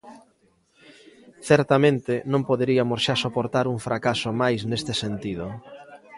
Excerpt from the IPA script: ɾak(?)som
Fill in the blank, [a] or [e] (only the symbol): a